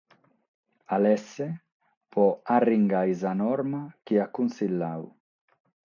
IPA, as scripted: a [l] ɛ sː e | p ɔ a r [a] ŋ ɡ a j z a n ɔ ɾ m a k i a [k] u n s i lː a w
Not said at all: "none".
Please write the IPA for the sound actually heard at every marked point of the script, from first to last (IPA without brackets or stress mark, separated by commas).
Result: l, i, k